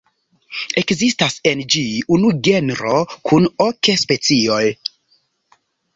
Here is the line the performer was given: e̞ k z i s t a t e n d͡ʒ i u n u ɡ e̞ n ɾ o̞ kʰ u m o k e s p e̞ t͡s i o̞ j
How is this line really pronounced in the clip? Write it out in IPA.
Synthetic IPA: e̞ k z i s t a s e n d͡ʒ i u n u ɡ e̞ n ɾ o̞ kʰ u n o k e s p e̞ t͡s i o̞ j